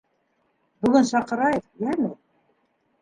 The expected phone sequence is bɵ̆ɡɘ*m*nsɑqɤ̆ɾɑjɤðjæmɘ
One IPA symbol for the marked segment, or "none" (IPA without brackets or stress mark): none